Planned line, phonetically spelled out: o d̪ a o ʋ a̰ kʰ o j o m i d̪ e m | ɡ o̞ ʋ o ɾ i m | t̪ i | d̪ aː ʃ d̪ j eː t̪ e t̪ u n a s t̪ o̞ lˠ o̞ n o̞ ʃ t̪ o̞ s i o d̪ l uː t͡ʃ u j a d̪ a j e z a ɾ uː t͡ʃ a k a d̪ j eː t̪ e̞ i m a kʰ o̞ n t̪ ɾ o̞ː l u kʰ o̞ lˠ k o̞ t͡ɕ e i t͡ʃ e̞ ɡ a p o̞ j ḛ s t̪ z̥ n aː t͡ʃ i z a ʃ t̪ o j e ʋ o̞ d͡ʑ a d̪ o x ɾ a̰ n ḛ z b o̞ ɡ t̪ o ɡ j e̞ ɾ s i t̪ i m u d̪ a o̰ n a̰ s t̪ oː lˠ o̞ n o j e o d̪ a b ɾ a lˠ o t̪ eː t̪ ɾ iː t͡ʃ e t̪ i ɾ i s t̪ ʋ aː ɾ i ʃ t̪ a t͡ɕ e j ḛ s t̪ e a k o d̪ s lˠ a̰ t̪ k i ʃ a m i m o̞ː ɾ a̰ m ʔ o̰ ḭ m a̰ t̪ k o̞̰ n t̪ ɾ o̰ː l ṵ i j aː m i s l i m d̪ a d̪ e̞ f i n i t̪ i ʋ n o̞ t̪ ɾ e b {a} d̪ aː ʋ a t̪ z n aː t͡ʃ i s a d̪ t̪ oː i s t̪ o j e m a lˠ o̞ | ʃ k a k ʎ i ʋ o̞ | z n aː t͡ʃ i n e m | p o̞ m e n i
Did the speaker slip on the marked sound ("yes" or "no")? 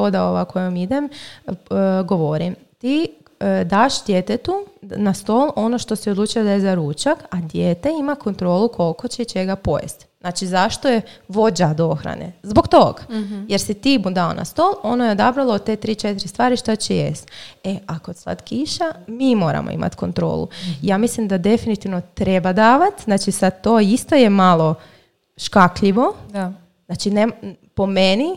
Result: no